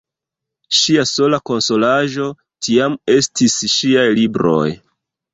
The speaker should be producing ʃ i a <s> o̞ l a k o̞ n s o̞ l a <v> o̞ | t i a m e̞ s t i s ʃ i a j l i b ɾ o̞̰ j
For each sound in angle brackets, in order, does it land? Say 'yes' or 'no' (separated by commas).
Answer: yes, no